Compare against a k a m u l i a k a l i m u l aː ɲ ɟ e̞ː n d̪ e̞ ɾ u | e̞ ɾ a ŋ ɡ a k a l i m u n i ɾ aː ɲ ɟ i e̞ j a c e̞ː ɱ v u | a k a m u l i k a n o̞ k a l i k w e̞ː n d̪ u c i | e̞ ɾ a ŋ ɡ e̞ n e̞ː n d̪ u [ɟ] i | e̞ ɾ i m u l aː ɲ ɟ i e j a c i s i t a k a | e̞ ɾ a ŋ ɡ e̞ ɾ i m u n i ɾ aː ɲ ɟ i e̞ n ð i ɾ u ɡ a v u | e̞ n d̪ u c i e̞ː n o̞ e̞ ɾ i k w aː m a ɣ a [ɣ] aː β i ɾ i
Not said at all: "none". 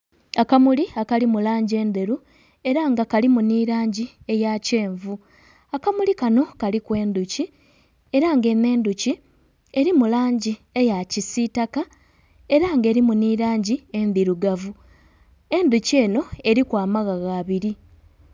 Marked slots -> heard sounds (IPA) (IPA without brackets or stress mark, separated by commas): c, ɣ